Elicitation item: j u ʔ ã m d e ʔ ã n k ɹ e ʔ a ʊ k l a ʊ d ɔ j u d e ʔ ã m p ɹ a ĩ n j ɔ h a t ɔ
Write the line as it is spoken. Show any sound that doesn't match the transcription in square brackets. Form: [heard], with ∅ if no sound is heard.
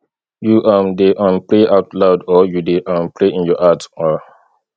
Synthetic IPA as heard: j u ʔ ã m d e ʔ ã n [p] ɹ e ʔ a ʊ [t] l a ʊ d ɔ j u d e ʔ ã m p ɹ [e] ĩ n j ɔ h a t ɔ